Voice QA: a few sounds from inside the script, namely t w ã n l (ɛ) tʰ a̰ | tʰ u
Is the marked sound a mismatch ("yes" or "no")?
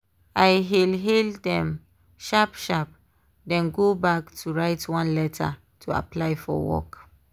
no